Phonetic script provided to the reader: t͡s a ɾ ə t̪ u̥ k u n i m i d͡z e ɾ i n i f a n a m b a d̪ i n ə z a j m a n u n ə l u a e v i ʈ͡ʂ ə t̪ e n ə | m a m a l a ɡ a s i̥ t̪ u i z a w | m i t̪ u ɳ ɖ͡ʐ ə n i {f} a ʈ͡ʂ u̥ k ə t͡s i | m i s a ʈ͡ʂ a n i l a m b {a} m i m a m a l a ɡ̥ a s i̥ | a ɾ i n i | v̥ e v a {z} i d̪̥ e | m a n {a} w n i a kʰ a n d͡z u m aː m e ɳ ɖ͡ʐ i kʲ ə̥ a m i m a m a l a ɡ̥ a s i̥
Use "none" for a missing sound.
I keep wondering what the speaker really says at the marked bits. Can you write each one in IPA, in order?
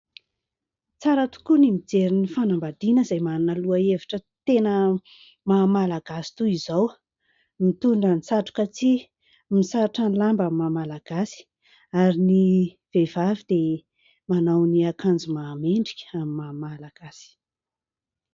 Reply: s, a, v, a

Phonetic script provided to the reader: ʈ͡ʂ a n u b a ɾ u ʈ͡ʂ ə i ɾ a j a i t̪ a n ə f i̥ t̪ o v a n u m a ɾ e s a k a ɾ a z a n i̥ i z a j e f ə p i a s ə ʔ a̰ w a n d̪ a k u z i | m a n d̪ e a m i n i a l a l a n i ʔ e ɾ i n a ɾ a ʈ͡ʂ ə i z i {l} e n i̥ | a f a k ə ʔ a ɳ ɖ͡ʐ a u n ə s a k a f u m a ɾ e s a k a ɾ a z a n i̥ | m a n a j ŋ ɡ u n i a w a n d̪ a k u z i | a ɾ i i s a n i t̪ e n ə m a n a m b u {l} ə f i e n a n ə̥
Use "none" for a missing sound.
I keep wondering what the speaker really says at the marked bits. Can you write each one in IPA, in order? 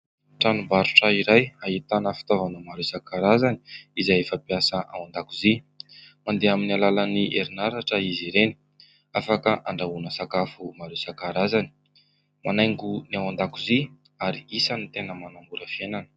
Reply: ɾ, ɾ

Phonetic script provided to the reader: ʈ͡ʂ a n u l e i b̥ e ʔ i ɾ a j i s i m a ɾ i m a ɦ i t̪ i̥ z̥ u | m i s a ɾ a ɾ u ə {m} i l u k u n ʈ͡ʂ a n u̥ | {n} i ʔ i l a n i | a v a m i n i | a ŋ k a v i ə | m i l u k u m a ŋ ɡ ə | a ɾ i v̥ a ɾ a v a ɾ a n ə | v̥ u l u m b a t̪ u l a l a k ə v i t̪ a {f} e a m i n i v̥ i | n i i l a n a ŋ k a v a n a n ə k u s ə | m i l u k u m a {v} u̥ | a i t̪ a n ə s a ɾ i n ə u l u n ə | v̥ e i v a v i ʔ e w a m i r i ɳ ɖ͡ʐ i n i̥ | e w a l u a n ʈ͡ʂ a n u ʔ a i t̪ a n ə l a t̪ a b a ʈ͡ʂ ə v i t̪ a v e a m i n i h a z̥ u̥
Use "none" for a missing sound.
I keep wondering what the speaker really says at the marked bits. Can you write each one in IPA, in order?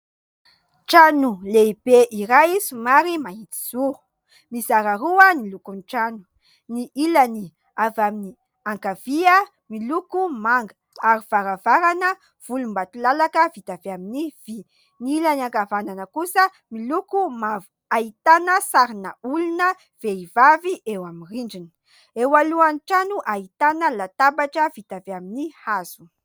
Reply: n, n, v, v

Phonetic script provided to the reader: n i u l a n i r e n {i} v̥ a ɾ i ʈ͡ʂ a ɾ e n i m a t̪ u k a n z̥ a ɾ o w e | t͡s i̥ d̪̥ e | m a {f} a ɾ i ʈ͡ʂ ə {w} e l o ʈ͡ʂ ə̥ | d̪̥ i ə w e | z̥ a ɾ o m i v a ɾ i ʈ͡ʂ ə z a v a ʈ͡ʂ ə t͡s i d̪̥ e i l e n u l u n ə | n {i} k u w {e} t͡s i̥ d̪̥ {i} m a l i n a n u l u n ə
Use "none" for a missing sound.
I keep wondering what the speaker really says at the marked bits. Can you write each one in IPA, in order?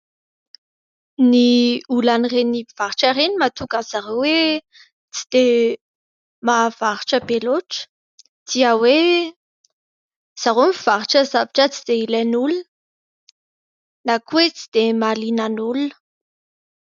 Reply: i, v, b, a, e, e

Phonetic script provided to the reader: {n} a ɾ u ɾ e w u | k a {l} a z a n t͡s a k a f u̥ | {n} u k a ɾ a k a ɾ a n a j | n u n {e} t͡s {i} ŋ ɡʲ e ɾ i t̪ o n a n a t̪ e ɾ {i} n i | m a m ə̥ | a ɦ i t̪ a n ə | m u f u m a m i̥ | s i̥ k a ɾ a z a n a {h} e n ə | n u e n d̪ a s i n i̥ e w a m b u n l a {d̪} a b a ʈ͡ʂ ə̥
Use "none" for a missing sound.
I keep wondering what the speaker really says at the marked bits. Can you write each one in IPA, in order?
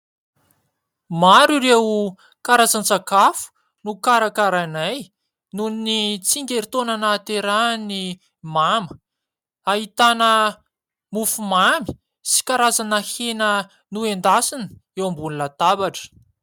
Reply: m, ɾ, n, i, i, a, h, t̪

